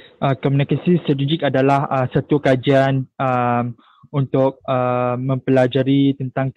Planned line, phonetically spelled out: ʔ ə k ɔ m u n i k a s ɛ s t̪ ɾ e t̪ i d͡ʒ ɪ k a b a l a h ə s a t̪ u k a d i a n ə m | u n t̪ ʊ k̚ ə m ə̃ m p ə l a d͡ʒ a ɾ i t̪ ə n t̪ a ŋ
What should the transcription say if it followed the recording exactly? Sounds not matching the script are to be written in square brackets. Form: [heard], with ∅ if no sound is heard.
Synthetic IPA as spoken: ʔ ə k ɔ m u n i k a s [i] s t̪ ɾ [a] t̪ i d͡ʒ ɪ k a [d] a l a h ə s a t̪ u k a [d͡ʒ] i a n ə m | u n t̪ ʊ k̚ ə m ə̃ m p ə l a d͡ʒ a ɾ i t̪ ə n t̪ a ŋ

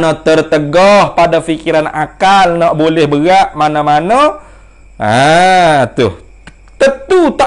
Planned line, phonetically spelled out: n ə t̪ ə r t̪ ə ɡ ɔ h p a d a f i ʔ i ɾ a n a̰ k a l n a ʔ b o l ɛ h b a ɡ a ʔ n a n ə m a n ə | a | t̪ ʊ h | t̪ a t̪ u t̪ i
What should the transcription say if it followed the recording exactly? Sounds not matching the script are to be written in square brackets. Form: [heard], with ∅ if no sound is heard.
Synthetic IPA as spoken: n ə t̪ ə r t̪ ə ɡ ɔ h p a d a f i [k] i ɾ a n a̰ k a l n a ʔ b o l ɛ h b [ə] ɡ a ʔ [m] a n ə m a n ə | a | t̪ ʊ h | t̪ [ə] t̪ u t̪ [a]

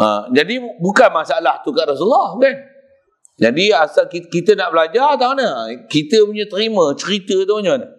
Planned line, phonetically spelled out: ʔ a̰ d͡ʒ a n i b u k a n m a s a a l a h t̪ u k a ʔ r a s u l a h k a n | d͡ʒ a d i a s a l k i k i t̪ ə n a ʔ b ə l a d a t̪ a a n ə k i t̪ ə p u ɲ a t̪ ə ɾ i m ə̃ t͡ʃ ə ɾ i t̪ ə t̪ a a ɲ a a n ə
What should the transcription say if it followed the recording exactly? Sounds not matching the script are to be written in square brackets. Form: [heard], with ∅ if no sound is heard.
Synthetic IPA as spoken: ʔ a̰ d͡ʒ a [d] i b u k a n m a s a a l a h t̪ u k a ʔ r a s u l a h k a n | d͡ʒ a d i a s a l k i k i t̪ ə n a ʔ b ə l a [d͡ʒ] a t̪ a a n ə k i t̪ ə p u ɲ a t̪ ə ɾ i m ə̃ t͡ʃ ə ɾ i t̪ ə t̪ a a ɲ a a n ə

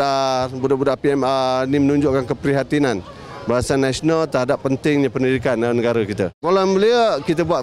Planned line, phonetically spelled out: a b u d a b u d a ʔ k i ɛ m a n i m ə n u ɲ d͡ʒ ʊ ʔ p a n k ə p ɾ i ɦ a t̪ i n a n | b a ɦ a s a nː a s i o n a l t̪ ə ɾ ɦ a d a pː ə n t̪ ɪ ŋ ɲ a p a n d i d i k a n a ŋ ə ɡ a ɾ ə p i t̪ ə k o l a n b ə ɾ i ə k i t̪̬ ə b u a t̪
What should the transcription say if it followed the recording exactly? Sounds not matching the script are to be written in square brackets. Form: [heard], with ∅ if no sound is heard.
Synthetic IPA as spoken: a b u d a b u d a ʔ [p] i ɛ m a n i m ə n u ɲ d͡ʒ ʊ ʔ [k] a n k ə p ɾ i ɦ a t̪ i n a n | b a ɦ a s a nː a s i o n a l t̪ ə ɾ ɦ a d a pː ə n t̪ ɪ ŋ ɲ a p [ə] n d i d i k a n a [n] ə ɡ a ɾ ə [k] i t̪ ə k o l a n b ə [l] i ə k i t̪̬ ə b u a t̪

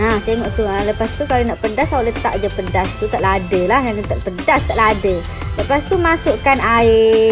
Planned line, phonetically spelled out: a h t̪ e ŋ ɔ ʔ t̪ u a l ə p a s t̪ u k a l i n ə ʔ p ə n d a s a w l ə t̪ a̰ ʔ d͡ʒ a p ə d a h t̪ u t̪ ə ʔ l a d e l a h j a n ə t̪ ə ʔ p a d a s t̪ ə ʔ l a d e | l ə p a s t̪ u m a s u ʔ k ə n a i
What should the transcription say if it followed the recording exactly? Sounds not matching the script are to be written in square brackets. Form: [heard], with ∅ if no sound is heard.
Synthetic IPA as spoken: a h t̪ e ŋ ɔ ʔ t̪ u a l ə p a s t̪ u k a l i n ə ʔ p ə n d a s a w l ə t̪ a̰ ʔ d͡ʒ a p ə d a [s] t̪ u t̪ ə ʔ l a d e l a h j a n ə t̪ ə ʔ p [ə] d a s t̪ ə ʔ l a d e | l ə p a s t̪ u m a s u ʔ k [a] n a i

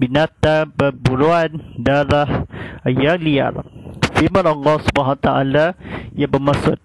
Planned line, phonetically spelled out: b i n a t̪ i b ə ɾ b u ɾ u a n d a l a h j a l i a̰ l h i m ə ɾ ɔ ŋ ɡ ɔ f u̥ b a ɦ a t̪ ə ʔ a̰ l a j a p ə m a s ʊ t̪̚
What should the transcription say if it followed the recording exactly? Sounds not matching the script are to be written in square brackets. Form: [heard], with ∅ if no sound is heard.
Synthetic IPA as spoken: b i n a t̪ [a] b ə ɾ b u ɾ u a n d a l a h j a l i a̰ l [f] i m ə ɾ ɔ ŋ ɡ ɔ [s] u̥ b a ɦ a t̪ [a] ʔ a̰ l a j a [b] ə m a s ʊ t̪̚

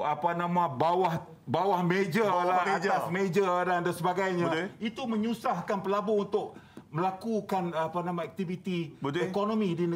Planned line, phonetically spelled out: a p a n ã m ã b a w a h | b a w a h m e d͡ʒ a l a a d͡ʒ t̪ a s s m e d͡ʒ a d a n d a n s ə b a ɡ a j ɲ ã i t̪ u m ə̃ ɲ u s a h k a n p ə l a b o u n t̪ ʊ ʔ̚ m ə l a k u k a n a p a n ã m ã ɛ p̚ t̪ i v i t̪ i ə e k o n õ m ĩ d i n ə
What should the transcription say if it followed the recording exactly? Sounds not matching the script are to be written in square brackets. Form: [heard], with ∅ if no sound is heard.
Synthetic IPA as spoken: a p a n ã m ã b a w a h | b a w a h m e d͡ʒ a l a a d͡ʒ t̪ a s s m e d͡ʒ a d a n d a n s ə b a ɡ a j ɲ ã i t̪ u m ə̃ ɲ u s a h k a n p ə l a b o u n t̪ ʊ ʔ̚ m ə l a k u k a n a p a n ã m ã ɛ [k̚] t̪ i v i t̪ i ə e k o n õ m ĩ d i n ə

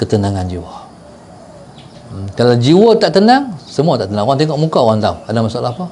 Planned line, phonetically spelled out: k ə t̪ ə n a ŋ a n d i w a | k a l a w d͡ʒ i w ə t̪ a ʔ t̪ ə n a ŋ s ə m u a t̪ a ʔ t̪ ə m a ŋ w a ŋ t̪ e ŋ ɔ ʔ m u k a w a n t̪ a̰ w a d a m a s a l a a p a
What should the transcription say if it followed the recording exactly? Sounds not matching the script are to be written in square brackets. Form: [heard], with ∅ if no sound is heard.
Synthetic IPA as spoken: k ə t̪ ə n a ŋ a n [d͡ʒ] i w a | k a l a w d͡ʒ i w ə t̪ a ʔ t̪ ə n a ŋ s ə m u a t̪ a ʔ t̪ ə [n] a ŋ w a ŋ t̪ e ŋ ɔ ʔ m u k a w a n t̪ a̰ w a d a m a s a l a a p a

